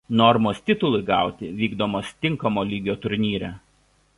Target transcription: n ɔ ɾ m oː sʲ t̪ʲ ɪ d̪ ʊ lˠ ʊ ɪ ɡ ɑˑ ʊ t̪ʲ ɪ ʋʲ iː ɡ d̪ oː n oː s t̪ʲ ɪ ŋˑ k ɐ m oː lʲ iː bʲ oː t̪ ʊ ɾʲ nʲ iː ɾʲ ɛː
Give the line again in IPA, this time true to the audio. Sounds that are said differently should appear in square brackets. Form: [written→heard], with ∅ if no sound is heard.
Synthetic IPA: n ɔ ɾ m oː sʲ t̪ʲ ɪ [d̪→t̪] ʊ lˠ ʊ ɪ ɡ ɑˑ ʊ t̪ʲ ɪ ʋʲ iː ɡ d̪ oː [n→m] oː s t̪ʲ ɪ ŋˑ k ɐ m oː lʲ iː [bʲ→ɡʲ] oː t̪ ʊ ɾʲ nʲ iː ɾʲ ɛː

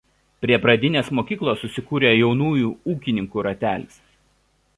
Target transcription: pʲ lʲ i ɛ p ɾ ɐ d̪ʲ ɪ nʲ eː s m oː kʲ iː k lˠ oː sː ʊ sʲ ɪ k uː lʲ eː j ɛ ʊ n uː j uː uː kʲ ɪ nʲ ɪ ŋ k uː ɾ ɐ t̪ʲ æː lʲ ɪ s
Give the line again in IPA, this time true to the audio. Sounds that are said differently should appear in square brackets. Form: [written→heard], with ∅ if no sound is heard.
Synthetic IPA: pʲ [lʲ→ɾʲ] i ɛ p ɾ ɐ d̪ʲ ɪ nʲ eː s m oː kʲ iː k lˠ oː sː ʊ sʲ ɪ k uː [lʲ→ɾʲ] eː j ɛ ʊ n uː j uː uː kʲ ɪ nʲ ɪ ŋ k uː ɾ ɐ t̪ʲ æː lʲ ɪ s

